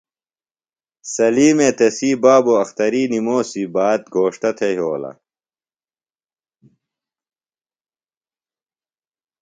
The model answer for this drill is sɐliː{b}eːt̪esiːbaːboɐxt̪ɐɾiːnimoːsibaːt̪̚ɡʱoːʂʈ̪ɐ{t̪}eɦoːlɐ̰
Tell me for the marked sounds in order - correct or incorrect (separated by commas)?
incorrect, incorrect